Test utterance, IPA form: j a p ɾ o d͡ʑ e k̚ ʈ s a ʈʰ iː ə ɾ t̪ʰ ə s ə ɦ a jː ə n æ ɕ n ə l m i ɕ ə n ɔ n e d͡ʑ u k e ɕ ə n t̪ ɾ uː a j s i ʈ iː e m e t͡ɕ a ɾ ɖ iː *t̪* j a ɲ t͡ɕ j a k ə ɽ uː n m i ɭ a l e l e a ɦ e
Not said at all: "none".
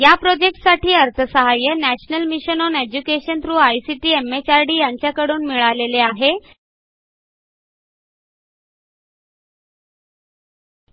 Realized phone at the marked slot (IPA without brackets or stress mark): none